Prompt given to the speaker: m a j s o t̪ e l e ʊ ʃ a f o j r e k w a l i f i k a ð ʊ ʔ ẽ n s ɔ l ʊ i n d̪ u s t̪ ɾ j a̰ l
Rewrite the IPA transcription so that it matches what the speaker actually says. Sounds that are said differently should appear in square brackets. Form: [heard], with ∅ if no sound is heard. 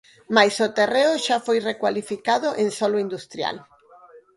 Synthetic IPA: m a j s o t̪ e [r] e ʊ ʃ a f o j r e k w a l i f i k a ð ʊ ʔ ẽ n s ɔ l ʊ i n d̪ u s t̪ ɾ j a̰ l